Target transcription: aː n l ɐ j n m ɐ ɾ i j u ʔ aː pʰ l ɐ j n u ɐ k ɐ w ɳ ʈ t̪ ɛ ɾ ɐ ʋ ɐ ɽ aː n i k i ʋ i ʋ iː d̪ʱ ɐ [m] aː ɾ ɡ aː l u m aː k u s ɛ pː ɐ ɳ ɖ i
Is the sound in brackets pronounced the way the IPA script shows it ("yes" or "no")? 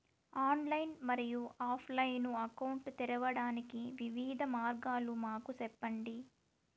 yes